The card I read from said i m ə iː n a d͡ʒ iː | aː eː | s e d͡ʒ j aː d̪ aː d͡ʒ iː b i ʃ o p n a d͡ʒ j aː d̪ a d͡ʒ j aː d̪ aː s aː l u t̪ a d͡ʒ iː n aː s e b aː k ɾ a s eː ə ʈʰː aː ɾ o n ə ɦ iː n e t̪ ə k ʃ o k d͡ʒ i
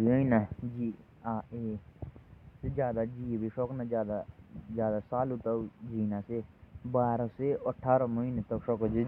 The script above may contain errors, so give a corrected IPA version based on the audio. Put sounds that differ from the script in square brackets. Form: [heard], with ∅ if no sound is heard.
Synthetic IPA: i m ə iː n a d͡ʒ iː | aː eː | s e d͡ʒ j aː d̪ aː d͡ʒ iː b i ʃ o [k] n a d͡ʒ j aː d̪ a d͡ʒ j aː d̪ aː s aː l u t̪ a d͡ʒ iː n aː s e b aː [∅] ɾ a s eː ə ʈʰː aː ɾ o [m] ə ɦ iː n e t̪ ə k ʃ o k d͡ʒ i